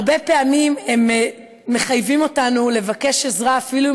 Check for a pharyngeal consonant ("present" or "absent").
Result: absent